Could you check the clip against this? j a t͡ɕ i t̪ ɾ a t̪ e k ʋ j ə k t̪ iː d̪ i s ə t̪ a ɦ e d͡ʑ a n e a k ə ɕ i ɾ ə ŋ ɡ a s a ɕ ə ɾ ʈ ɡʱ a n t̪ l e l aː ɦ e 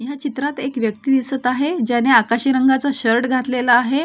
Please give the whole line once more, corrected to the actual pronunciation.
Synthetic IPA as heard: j a t͡ɕ i t̪ ɾ a t̪ e k ʋ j ə k t̪ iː d̪ i s ə t̪ a ɦ e d͡ʑ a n e a k a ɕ i ɾ ə ŋ ɡ a t͡s a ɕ ə ɾ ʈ ɡʱ a t̪ l e l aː ɦ e